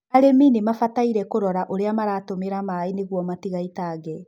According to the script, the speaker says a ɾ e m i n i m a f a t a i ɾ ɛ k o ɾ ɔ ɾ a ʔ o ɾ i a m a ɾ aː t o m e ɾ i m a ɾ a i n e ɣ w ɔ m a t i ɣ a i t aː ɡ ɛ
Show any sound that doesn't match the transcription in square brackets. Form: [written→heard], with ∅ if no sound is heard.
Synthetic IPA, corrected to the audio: a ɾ e m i n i m a f a t a i ɾ ɛ k o ɾ ɔ ɾ a ʔ o ɾ [i→e] a m a ɾ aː t o m e ɾ [i→a] m a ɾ a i n e ɣ w ɔ m a t i ɣ a i t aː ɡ ɛ